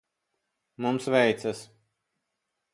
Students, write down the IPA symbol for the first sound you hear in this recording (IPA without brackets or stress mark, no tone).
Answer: m